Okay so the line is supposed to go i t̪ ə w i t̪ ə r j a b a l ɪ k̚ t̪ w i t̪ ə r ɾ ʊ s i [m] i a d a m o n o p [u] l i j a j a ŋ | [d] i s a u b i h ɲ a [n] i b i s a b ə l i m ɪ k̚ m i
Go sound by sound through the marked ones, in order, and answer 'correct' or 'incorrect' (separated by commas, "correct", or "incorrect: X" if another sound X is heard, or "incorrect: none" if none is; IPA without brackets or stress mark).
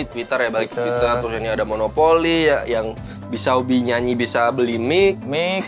incorrect: n, incorrect: o, incorrect: b, incorrect: ɲ